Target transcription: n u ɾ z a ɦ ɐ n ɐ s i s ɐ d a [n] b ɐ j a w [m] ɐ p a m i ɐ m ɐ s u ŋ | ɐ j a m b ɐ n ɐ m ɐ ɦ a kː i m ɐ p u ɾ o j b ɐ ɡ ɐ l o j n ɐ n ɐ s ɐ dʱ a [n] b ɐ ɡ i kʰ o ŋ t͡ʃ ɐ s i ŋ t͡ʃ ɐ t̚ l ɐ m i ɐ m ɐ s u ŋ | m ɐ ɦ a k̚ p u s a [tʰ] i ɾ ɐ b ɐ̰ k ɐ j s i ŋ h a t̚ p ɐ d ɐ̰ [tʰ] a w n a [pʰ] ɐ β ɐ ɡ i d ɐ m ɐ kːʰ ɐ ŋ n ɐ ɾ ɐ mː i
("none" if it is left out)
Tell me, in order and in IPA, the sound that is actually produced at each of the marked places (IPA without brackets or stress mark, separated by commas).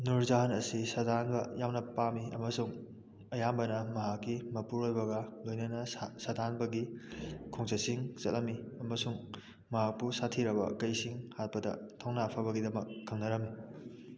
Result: n, n, n, tʰ, tʰ, pʰ